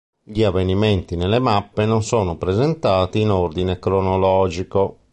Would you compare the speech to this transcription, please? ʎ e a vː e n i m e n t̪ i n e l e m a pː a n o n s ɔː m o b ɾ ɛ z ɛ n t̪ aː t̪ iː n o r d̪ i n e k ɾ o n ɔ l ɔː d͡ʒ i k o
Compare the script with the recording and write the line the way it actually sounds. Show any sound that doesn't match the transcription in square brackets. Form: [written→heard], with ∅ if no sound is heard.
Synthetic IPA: ʎ [e→i] a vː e n i m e n t̪ i n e l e m a pː [a→e] n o n s ɔː [m→n] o [b→p] ɾ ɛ z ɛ n t̪ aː t̪ iː n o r d̪ i n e k ɾ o n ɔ l ɔː d͡ʒ i k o